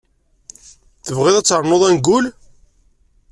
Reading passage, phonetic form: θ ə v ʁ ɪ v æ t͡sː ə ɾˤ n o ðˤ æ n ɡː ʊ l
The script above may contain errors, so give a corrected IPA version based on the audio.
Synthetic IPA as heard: θ ə v ʁ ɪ ð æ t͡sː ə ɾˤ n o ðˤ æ n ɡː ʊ l